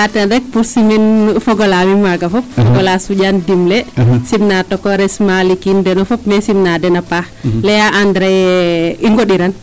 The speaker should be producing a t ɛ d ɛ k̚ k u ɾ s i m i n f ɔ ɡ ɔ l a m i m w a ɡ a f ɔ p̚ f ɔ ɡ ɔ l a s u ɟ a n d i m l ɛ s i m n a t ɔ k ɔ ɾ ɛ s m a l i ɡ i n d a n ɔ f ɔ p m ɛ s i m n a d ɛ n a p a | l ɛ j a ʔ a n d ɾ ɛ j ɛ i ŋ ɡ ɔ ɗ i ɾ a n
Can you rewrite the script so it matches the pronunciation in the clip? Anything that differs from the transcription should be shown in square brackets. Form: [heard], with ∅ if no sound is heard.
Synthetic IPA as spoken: a t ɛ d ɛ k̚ [p] u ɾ s i m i n f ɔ ɡ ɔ l a m i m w a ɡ a f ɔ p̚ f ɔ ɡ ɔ l a s u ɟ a n d i m l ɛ s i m n a t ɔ k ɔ ɾ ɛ s m a l i [k] i n d [ɛ] n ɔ f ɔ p m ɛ s i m n a d ɛ n a p a | l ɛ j a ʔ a n d ɾ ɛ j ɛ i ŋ ɡ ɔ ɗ i ɾ a n